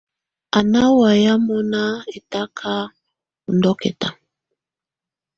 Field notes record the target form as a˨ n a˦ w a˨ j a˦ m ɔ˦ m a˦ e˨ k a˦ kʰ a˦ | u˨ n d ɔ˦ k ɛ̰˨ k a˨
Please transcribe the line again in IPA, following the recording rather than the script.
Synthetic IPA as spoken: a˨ n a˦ w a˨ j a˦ m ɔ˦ n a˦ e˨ t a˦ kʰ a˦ | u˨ n d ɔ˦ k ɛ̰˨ t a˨